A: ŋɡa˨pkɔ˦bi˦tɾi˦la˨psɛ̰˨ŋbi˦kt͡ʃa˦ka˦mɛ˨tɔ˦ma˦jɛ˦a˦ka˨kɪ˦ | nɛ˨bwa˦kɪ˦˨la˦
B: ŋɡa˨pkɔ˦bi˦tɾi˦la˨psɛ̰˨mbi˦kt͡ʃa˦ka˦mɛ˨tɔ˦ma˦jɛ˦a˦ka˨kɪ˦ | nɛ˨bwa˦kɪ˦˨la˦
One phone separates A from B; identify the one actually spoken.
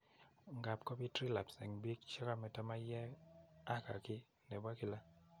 A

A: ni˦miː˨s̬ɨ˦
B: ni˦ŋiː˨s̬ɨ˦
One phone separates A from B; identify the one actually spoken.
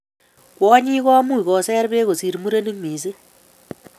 A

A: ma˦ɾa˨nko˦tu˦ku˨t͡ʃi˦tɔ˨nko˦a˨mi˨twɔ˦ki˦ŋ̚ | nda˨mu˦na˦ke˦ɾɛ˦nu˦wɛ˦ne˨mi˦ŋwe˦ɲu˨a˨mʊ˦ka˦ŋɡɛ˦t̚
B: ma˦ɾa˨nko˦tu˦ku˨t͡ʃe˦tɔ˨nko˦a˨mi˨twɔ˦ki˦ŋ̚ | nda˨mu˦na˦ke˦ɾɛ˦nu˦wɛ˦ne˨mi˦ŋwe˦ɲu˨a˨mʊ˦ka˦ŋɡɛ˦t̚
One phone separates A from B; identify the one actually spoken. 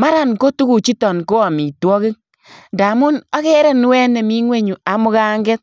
A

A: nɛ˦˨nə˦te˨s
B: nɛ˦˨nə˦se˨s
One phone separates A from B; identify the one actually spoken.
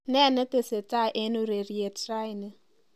A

